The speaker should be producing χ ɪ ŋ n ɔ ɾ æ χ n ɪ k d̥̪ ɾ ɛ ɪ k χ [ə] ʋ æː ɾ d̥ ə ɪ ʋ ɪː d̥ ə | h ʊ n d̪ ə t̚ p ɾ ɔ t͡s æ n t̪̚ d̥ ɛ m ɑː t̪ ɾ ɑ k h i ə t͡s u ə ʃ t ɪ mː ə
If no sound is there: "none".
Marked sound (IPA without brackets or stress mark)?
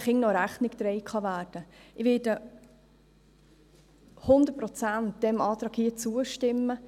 ɑ